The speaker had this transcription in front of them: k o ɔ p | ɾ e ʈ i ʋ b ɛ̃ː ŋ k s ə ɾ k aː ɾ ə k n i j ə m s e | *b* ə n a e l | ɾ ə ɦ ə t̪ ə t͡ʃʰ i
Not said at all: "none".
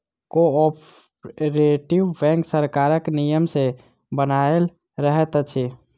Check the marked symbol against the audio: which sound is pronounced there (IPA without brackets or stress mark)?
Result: b